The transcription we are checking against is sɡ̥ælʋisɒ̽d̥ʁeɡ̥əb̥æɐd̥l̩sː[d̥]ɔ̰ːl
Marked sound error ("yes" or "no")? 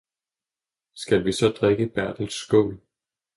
yes